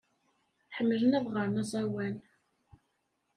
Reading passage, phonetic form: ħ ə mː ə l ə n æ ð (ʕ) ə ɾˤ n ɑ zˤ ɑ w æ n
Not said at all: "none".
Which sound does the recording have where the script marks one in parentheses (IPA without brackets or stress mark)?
ʁ